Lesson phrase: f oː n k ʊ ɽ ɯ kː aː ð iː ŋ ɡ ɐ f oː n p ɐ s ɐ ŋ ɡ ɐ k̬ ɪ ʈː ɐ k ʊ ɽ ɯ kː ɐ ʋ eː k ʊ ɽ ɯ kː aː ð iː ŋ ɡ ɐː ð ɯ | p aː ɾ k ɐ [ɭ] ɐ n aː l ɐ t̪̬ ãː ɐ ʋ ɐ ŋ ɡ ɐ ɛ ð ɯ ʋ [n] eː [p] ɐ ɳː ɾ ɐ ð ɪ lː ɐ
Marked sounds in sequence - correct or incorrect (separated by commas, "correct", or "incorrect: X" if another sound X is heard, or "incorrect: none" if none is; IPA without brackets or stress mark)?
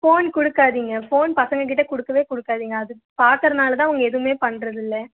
incorrect: ɾ, incorrect: m, correct